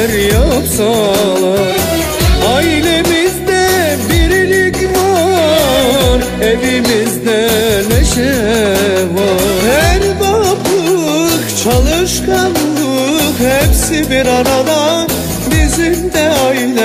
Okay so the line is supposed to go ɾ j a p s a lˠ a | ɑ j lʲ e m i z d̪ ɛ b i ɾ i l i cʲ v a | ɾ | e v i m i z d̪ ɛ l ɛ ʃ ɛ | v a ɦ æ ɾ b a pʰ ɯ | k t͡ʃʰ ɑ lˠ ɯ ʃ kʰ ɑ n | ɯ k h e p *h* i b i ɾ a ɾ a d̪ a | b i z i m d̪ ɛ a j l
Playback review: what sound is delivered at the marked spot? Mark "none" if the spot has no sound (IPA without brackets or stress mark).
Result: s